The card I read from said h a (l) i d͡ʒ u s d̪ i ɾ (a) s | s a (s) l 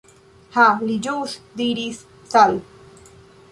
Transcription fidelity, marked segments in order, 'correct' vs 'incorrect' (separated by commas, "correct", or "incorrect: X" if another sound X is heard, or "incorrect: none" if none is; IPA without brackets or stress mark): correct, incorrect: i, incorrect: none